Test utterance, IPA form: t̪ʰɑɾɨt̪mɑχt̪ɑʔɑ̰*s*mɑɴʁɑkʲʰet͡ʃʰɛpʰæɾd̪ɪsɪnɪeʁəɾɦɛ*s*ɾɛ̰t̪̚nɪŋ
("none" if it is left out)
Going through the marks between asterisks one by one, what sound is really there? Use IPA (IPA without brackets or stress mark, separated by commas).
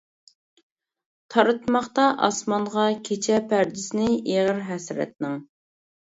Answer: s, s